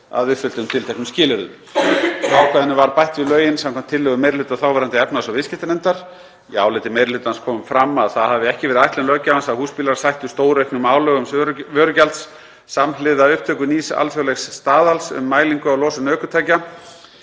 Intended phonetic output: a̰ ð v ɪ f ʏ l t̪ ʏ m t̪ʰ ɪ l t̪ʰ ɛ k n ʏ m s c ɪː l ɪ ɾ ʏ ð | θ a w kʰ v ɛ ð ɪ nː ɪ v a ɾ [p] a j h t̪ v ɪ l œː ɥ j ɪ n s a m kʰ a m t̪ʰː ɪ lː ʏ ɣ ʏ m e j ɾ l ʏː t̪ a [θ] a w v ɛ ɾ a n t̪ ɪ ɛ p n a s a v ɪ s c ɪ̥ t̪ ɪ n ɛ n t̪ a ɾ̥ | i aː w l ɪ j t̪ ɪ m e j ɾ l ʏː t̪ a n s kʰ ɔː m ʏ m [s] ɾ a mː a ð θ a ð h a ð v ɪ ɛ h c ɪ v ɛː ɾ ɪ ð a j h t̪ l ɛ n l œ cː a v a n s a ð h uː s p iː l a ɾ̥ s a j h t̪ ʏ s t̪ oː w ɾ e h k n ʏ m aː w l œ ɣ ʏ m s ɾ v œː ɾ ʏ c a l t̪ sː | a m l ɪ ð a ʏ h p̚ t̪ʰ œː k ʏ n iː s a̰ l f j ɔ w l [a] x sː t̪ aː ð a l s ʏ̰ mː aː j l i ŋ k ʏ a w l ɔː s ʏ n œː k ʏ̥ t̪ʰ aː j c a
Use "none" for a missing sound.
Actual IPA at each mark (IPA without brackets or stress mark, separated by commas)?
p, θ, f, ɛ